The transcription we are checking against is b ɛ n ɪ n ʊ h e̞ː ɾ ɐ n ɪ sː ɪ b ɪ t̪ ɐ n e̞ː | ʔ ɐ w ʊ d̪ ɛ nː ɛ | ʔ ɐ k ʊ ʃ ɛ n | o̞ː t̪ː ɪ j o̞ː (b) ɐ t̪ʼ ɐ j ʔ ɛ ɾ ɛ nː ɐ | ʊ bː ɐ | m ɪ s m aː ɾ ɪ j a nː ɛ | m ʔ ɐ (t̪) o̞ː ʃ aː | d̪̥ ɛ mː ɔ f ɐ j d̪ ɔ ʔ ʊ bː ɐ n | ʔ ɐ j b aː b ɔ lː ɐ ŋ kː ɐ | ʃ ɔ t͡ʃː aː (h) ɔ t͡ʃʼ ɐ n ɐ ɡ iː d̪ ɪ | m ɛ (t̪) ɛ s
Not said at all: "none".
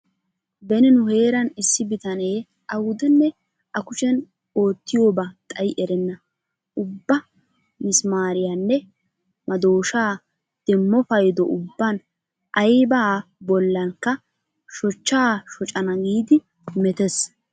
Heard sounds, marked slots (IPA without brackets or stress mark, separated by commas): b, d̪, ʃ, t̪